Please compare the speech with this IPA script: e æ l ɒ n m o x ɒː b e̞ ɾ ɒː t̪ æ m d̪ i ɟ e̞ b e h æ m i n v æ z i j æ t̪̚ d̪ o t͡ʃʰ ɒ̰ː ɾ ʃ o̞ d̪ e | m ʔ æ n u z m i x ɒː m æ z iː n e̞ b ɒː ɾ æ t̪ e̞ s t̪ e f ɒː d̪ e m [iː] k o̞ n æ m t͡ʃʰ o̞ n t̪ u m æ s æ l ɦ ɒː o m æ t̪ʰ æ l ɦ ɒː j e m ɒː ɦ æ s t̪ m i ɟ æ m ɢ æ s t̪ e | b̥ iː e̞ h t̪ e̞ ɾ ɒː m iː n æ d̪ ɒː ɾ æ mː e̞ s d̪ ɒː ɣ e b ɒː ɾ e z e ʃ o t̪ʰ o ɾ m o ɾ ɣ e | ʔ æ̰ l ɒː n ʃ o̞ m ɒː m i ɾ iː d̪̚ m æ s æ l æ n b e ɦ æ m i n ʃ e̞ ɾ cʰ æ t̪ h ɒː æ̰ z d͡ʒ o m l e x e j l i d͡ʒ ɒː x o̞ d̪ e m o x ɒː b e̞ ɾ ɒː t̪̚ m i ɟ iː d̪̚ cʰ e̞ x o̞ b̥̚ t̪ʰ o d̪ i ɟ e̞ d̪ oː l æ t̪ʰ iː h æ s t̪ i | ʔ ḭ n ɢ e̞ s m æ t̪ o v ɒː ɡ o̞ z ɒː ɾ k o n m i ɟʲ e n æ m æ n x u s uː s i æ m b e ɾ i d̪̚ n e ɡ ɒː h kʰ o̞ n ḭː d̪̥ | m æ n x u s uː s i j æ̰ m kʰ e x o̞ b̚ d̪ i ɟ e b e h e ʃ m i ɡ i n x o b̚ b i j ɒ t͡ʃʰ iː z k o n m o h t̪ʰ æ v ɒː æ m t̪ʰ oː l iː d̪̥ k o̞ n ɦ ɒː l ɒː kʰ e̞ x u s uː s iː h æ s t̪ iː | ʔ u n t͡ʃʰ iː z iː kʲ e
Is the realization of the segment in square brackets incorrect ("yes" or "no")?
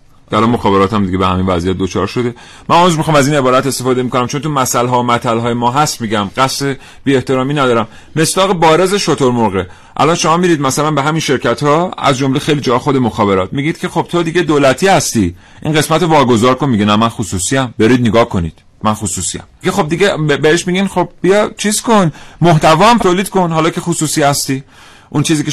yes